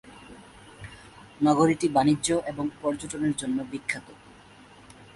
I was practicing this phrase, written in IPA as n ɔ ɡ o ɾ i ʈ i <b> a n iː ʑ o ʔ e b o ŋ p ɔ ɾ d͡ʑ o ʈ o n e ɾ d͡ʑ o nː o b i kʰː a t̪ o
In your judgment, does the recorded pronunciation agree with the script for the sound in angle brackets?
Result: yes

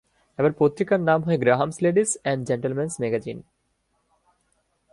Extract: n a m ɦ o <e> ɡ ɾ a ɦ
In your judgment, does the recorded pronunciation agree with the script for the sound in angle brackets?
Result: yes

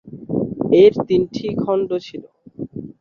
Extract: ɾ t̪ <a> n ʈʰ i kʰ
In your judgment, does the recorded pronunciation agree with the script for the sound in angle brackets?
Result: no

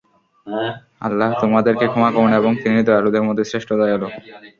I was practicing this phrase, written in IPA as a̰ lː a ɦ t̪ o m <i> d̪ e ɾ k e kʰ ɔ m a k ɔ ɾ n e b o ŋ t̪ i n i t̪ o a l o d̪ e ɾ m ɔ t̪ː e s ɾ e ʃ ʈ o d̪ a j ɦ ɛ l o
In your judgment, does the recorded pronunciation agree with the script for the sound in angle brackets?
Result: no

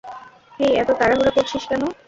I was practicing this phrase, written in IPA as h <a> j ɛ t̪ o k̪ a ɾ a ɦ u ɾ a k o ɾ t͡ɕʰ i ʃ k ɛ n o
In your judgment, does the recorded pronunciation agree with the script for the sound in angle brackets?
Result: no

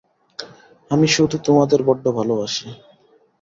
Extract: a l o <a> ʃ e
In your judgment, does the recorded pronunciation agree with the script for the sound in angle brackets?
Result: yes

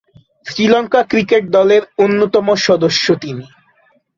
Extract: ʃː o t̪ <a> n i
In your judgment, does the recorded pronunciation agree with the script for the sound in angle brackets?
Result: no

